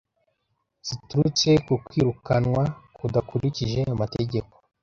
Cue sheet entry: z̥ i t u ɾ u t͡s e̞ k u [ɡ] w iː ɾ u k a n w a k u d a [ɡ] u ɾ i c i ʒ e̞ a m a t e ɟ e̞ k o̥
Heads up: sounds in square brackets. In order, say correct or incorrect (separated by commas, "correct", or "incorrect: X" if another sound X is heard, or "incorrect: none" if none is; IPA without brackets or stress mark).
incorrect: k, incorrect: k